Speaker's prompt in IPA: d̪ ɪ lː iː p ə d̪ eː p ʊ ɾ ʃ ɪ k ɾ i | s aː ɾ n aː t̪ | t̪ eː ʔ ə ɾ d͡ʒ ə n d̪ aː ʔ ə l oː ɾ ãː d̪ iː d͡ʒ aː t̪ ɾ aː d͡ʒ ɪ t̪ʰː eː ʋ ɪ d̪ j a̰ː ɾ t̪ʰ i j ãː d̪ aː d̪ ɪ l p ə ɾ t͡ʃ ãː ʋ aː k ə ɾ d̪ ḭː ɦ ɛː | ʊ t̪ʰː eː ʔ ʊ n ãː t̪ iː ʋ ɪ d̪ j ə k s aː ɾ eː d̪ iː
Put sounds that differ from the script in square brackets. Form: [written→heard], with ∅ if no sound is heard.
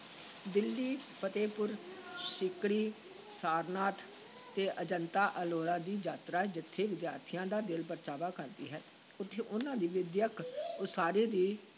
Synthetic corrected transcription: d̪ ɪ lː iː p ə [d̪→t̪] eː p ʊ ɾ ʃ ɪ k ɾ [i→iː] | s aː ɾ n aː t̪ | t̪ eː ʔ ə [ɾ→∅] d͡ʒ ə n [d̪→t̪] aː ʔ ə l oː ɾ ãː d̪ iː d͡ʒ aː t̪ ɾ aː d͡ʒ ɪ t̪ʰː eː ʋ ɪ d̪ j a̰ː ɾ t̪ʰ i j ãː d̪ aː d̪ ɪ l p ə ɾ t͡ʃ [ãː→aː] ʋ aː k ə ɾ d̪ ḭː ɦ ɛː | ʊ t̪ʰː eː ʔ ʊ n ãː [t̪→d̪] iː ʋ ɪ d̪ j ə k s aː ɾ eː d̪ iː